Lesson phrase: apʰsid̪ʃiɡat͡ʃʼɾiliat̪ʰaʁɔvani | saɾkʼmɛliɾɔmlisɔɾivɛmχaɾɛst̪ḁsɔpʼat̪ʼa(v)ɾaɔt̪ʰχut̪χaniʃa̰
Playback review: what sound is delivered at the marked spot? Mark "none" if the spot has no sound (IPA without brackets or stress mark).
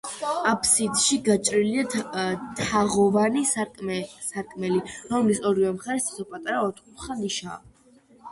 none